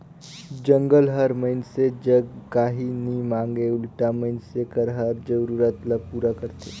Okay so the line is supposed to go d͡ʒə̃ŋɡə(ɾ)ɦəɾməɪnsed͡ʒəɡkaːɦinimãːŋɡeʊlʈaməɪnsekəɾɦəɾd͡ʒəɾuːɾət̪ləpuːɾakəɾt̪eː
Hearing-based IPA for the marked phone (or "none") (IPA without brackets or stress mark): l